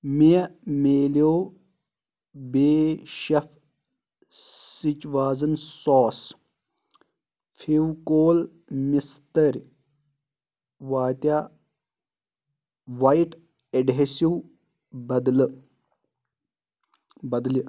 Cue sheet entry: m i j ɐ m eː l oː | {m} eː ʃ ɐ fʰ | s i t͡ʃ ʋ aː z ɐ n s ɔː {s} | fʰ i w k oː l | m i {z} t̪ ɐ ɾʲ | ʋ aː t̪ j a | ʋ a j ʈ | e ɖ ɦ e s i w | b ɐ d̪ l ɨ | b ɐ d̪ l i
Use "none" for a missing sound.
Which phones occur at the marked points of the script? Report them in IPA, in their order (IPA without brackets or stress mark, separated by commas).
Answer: b, s, s